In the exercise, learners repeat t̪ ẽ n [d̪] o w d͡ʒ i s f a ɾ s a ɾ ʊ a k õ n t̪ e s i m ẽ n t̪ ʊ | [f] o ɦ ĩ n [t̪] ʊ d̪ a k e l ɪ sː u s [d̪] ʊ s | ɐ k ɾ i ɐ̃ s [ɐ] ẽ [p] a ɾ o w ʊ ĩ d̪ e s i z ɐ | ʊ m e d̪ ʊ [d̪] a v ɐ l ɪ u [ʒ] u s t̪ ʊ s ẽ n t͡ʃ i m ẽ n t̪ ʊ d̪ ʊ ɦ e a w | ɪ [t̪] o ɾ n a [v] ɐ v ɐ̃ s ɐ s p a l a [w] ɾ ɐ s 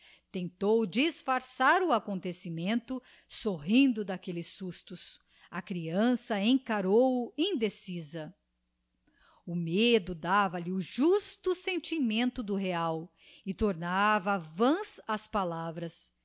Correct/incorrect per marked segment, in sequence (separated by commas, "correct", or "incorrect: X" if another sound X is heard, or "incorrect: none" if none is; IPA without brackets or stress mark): incorrect: t̪, incorrect: s, incorrect: d̪, incorrect: t̪, correct, incorrect: k, correct, correct, correct, correct, incorrect: v